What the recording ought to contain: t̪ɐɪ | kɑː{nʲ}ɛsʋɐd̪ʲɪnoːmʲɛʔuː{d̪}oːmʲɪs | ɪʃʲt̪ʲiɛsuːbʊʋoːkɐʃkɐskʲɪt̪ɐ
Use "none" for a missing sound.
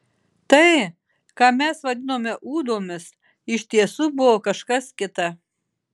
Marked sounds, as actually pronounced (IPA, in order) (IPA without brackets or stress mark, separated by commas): mʲ, d̪